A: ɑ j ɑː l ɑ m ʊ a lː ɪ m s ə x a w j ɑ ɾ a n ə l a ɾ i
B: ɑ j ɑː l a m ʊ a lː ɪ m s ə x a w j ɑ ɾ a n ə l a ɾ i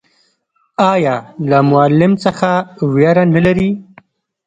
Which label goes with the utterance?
B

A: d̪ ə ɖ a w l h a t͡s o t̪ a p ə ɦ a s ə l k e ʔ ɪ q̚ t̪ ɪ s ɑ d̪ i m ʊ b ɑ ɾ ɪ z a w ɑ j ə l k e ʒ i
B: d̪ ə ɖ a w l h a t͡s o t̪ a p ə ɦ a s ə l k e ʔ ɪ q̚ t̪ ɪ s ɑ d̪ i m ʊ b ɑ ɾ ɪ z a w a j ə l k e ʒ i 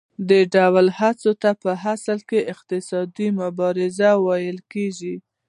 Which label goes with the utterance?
A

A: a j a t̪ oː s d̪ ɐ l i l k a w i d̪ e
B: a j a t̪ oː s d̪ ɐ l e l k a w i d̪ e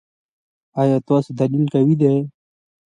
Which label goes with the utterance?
A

